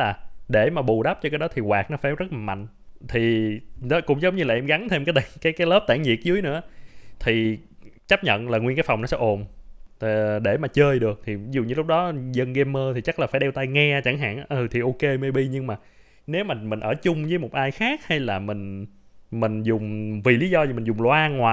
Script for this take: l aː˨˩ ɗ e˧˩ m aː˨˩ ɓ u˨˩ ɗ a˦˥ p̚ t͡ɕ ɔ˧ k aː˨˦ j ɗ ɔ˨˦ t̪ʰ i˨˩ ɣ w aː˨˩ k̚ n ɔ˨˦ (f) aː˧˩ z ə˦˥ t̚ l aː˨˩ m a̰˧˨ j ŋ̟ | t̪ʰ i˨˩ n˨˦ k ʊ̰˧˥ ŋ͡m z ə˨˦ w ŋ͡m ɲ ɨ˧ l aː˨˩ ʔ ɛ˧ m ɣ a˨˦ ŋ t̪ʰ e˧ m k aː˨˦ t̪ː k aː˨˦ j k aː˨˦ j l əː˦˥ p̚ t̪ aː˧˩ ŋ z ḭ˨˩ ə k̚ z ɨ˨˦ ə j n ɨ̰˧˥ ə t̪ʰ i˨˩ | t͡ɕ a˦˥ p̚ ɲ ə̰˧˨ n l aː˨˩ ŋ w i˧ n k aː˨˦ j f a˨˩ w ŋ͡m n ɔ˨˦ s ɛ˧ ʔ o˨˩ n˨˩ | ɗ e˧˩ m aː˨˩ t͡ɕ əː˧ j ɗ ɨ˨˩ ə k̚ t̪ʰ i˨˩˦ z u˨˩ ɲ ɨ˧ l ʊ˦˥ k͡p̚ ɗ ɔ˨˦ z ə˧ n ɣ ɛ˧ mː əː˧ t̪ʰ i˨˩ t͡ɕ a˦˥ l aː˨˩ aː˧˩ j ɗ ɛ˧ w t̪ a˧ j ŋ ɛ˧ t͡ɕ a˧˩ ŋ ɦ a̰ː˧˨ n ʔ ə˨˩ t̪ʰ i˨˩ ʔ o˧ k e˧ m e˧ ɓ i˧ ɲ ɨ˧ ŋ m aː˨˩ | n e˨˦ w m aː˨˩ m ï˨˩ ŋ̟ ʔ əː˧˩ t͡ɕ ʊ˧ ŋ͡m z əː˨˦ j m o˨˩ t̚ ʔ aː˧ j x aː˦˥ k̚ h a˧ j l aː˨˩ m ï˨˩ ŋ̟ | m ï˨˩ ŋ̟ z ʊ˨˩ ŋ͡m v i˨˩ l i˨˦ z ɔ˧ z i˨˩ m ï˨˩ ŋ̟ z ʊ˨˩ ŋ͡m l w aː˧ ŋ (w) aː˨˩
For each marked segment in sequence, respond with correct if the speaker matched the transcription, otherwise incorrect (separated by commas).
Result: correct, correct